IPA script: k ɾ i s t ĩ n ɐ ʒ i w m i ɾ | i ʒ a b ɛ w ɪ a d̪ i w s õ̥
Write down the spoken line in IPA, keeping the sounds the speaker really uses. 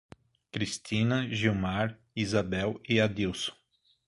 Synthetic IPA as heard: k ɾ i s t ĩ n ɐ ʒ i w m a ɾ | i z a b ɛ w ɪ a d̪ i w s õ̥